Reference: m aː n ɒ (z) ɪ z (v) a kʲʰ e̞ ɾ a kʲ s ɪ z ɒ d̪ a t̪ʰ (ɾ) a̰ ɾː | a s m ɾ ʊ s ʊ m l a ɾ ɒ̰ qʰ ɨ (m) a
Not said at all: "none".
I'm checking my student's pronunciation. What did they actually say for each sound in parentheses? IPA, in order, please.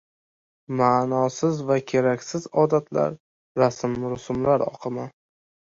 s, v, l, m

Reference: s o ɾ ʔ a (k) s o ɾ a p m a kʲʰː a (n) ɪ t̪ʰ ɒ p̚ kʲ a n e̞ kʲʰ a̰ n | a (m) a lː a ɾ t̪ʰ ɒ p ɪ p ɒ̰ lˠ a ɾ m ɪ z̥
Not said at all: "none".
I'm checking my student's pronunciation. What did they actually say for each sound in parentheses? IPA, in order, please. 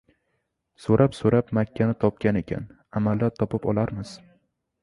p, n, m

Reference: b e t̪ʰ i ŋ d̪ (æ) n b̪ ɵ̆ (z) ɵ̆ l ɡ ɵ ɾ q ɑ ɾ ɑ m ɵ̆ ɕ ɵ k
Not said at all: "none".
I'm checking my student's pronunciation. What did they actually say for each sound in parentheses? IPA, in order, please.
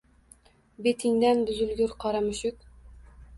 æ, z

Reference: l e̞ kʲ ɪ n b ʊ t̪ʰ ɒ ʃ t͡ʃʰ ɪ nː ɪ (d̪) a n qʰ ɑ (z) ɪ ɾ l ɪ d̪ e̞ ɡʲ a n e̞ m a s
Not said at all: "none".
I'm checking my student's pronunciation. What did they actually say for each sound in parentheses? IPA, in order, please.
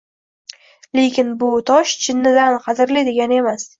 d̪, z

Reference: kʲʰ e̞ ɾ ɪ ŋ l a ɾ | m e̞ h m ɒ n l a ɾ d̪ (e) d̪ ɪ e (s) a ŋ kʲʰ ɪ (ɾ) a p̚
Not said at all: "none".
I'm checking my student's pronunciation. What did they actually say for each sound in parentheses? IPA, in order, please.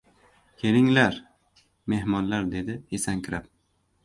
e, s, ɾ

